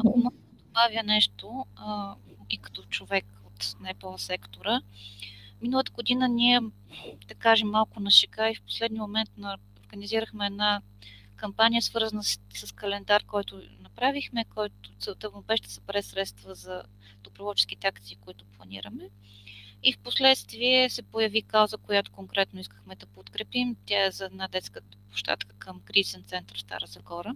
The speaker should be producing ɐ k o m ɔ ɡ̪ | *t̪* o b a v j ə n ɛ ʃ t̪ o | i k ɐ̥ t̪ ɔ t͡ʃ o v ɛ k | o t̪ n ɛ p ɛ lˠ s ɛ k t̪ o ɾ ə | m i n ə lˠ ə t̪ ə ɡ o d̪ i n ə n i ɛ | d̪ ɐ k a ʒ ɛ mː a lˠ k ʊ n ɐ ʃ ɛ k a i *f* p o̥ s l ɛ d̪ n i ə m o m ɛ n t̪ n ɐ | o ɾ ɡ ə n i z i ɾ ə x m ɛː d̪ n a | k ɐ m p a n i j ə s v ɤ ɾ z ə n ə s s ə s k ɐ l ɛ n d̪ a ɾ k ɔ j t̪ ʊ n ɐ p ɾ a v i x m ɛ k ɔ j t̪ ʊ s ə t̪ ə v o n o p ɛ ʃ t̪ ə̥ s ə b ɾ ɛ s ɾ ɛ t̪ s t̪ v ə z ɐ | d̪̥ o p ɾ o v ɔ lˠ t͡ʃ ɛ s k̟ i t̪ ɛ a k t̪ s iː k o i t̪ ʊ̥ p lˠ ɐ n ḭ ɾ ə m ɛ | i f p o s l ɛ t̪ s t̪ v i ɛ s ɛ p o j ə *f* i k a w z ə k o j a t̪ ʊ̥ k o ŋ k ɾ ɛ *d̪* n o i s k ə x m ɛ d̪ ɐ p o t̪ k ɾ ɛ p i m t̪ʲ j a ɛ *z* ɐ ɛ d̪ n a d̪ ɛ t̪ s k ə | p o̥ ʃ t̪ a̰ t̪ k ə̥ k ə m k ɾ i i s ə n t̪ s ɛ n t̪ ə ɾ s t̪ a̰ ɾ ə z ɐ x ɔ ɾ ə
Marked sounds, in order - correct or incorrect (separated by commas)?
incorrect, correct, incorrect, incorrect, correct